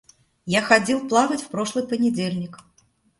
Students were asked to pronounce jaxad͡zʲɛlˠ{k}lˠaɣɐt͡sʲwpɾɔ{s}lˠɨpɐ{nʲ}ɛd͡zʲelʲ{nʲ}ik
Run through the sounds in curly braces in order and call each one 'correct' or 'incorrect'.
incorrect: p, incorrect: ʂ, correct, correct

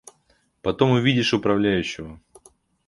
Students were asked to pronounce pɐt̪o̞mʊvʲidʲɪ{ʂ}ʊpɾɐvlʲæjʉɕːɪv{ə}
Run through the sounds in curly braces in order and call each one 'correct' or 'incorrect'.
correct, correct

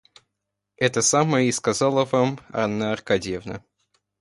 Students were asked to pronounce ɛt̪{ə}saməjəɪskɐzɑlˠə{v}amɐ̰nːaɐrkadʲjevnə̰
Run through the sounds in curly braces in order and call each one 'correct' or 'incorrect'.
correct, correct

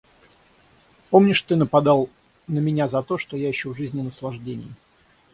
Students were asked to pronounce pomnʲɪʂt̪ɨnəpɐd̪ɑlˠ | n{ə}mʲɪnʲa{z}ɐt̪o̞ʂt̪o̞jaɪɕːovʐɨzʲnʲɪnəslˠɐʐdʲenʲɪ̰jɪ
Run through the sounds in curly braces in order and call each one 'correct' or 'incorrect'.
correct, correct

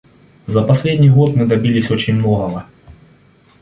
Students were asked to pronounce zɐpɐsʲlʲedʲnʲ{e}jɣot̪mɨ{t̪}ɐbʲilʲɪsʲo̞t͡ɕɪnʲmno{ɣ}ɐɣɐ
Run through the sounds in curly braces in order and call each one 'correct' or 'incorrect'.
incorrect: i, incorrect: d̪, correct

